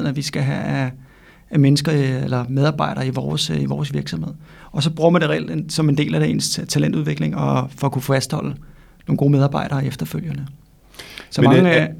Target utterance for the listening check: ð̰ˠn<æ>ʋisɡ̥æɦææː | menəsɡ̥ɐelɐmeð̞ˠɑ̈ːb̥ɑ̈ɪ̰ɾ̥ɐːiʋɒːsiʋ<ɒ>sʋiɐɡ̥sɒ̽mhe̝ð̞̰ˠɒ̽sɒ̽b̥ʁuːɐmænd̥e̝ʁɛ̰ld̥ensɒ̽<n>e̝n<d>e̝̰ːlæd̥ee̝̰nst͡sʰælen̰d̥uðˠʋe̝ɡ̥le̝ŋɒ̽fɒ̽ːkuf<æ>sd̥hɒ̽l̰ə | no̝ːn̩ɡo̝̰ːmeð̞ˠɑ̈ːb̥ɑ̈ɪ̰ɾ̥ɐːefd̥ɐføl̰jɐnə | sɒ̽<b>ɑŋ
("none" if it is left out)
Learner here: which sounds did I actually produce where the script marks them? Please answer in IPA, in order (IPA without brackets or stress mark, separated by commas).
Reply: æ, ɒː, m, d, æ, m